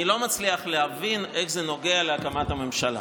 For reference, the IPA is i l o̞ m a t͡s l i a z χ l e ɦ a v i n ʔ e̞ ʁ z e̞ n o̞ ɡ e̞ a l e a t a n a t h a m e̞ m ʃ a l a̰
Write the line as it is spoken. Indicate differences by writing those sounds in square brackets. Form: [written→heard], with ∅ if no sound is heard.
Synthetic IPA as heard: i l o̞ m a t͡s l i a [z→∅] χ l e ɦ a v i n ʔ e̞ [ʁ→χ] z e̞ n o̞ ɡ e̞ a l e a [t→k] a [n→m] a t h a m e̞ m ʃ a l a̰